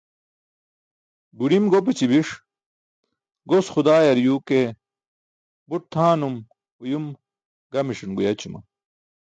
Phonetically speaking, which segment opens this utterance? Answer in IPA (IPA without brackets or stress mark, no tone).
b